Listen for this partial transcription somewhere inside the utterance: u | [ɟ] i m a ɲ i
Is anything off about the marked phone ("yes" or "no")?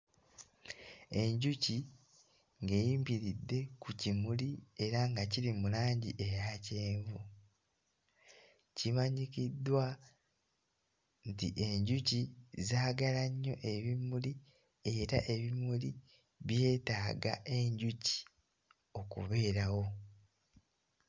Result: yes